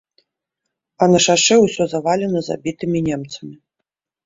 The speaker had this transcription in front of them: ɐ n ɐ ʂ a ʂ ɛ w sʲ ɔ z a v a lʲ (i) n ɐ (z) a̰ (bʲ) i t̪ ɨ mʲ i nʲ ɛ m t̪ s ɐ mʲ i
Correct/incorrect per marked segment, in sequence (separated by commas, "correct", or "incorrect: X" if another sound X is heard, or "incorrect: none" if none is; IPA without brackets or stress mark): incorrect: ɛ, correct, correct